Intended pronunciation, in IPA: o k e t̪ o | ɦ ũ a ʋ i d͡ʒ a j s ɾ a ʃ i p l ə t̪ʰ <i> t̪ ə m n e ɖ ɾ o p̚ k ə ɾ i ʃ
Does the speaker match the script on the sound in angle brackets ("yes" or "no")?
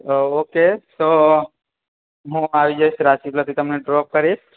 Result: yes